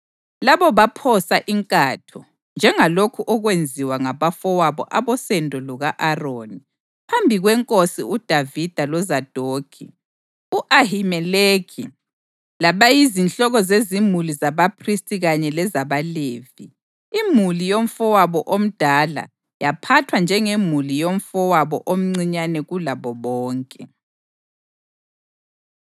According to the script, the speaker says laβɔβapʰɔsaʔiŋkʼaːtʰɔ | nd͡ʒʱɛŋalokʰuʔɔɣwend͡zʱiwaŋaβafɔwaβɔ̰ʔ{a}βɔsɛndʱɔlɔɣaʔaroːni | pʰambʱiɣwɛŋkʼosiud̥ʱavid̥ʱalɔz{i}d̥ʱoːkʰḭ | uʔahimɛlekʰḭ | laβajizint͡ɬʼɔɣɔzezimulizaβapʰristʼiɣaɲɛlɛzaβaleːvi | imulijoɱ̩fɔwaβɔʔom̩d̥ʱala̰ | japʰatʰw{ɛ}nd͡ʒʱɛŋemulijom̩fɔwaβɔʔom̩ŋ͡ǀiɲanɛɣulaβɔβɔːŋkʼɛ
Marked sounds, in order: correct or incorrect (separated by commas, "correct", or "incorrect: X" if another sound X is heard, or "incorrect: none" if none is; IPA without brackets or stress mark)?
correct, incorrect: a, incorrect: a